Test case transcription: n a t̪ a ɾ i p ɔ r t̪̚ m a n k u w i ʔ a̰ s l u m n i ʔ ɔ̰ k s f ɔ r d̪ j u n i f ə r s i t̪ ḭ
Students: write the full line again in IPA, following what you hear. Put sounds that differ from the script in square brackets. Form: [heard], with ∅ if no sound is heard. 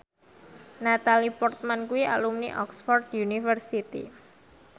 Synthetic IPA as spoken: n a t̪ a [l] i p ɔ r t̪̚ m a n k u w i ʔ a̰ [∅] l u m n i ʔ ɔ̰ k s f ɔ r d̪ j u n i f ə r s i t̪ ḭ